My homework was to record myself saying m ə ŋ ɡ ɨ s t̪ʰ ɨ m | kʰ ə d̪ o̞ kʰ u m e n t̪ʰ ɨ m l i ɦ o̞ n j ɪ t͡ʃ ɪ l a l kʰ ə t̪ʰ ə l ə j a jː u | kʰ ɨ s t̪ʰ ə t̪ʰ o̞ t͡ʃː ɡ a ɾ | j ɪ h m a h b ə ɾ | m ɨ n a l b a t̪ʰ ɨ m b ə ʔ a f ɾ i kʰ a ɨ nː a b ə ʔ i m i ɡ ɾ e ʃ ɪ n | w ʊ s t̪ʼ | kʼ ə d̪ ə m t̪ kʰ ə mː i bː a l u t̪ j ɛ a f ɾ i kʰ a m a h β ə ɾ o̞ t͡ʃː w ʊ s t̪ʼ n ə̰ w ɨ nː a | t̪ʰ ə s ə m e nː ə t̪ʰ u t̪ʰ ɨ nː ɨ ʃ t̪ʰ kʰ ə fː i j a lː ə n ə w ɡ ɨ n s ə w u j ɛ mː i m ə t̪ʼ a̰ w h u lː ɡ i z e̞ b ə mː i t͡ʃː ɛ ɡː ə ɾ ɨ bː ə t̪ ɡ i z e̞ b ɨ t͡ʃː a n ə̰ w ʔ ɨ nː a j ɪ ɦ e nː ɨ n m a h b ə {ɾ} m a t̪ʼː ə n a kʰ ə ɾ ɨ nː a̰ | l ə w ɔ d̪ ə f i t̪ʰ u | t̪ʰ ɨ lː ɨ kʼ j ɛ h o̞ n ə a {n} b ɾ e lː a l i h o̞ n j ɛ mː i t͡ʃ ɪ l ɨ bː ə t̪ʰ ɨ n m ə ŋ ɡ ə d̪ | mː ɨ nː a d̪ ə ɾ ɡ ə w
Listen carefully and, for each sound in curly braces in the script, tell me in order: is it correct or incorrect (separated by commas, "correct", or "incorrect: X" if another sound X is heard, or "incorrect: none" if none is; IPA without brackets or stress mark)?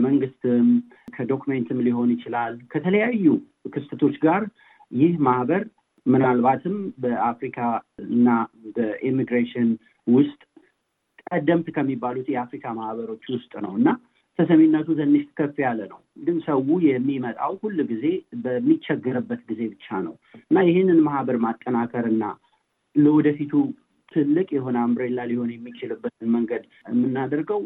correct, incorrect: m